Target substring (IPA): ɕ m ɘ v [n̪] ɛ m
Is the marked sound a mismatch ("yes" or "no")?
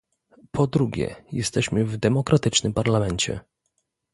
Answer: yes